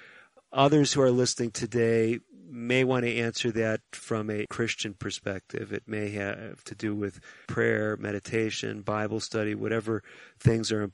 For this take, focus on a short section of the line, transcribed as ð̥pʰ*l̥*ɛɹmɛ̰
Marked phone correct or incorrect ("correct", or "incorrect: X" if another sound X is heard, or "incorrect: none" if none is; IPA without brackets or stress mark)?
incorrect: ɹ̥